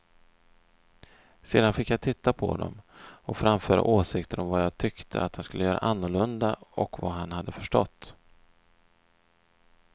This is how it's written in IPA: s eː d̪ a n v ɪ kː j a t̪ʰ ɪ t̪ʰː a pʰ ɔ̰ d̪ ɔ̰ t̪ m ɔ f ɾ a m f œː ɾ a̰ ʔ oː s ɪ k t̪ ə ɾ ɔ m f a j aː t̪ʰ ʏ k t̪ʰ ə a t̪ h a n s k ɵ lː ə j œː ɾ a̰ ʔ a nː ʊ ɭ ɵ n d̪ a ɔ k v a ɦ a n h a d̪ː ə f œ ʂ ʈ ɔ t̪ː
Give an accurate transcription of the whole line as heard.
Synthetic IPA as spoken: s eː d̪ a n f ɪ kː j a t̪ʰ ɪ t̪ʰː a pʰ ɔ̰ d̪ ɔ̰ m ɔ f ɾ a m f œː ɾ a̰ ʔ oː s ɪ k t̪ ə ɾ ɔ m v a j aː t̪ʰ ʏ k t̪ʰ ə a t̪ h a n s k ɵ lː ə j œː ɾ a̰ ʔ a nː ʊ ɭ ɵ n d̪ a ɔ k v a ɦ a n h a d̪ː ə f œ ʂ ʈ ɔ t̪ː